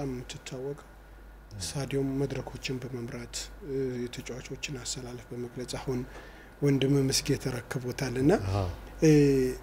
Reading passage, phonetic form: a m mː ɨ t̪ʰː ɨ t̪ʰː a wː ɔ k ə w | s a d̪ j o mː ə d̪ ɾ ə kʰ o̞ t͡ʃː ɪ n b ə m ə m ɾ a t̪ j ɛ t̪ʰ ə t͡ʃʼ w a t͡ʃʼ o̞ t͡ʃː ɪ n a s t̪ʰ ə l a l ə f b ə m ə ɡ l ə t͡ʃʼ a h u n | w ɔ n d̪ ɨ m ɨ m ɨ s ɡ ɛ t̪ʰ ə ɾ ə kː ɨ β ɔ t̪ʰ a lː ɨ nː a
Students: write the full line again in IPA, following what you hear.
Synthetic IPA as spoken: a m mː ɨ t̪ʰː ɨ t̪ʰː a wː ɔ kʼ ə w | s a d̪ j o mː ə d̪ ɾ ə kʰ o̞ t͡ʃː ɪ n b ə m ə m ɾ a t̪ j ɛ t̪ʰ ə t͡ʃʼ w a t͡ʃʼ o̞ t͡ʃː ɪ n a s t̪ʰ ə l a l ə f b ə m ə ɡ l ə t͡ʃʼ a h u n | w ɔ n d̪ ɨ m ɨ m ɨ s ɡ ɛ t̪ʰ ə ɾ ə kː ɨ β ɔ t̪ʰ a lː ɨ nː a